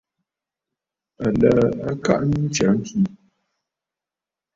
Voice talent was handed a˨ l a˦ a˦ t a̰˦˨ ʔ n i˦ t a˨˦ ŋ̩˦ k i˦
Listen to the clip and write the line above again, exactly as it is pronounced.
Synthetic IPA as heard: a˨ l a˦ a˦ k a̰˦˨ ʔ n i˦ t͡ʃ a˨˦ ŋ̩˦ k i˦